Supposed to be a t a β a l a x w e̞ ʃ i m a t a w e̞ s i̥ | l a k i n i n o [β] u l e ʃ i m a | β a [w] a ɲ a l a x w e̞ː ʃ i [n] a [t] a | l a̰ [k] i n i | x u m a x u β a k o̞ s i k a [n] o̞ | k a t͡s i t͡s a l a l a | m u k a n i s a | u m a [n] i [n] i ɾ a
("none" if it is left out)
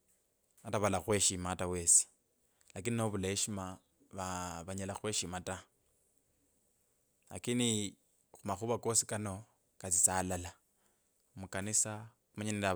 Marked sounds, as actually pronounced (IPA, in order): β, β, m, t, k, n, ɲ, n

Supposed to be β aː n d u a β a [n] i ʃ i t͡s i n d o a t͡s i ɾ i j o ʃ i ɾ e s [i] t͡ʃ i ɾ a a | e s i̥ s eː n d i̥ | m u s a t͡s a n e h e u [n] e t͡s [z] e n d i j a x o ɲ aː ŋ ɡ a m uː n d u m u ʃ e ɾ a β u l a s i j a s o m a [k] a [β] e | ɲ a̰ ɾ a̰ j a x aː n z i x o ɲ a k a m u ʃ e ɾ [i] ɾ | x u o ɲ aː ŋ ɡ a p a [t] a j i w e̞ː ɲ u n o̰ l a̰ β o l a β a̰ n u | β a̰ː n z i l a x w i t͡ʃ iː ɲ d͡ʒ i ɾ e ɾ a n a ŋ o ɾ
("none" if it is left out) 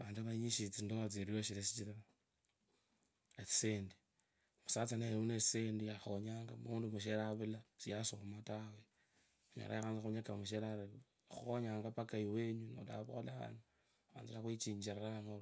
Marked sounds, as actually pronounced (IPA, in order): ɲ, i, n, s, t, w, a, k

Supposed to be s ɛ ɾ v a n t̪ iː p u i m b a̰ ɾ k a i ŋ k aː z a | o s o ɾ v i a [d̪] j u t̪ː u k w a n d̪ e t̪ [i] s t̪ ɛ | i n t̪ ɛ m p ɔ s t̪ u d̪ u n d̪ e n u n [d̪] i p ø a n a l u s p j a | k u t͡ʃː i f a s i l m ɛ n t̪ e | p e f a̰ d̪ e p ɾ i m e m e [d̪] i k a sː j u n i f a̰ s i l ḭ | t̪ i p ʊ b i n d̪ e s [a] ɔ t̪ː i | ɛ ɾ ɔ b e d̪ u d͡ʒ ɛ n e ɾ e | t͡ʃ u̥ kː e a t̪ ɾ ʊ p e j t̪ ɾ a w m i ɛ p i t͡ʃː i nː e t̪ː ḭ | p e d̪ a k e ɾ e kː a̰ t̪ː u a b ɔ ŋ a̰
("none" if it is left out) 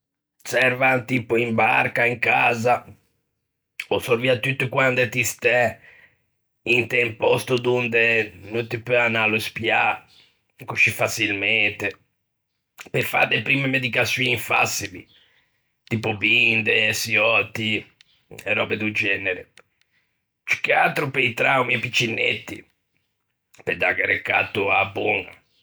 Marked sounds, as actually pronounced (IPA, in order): t̪, i, t̪, d̪, i

